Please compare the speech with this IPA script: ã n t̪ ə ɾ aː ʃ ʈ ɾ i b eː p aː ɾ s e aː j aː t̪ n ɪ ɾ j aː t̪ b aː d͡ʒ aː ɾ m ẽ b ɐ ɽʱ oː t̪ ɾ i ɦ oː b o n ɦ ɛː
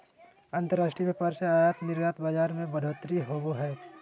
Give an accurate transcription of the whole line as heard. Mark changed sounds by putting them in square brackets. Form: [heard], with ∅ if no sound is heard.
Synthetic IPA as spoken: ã n t̪ ə ɾ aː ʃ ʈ ɾ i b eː p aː ɾ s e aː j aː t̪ n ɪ ɾ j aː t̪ b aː d͡ʒ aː ɾ m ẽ b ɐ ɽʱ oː t̪ ɾ i ɦ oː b o [∅] ɦ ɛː